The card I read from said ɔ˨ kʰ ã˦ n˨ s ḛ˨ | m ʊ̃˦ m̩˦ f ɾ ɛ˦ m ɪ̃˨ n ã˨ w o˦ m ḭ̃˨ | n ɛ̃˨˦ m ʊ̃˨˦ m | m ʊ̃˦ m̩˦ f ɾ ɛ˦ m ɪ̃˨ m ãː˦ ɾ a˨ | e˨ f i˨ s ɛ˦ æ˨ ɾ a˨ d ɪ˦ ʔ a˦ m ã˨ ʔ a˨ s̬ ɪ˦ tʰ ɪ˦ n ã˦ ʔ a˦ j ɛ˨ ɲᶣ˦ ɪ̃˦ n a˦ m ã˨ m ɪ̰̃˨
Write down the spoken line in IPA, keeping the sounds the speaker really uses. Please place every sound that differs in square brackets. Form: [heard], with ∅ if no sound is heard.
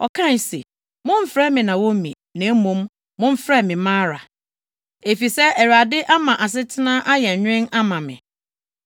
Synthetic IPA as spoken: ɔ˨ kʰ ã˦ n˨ s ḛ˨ | m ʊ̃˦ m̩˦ f ɾ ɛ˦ m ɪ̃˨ n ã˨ w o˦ m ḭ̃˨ | n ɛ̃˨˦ m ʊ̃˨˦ m | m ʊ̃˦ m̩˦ f ɾ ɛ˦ m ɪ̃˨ m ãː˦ ɾ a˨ | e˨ f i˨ s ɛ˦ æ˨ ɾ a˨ d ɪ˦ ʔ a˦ m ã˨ ʔ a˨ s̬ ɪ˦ tʰ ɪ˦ n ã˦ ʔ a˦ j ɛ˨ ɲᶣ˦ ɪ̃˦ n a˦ m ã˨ m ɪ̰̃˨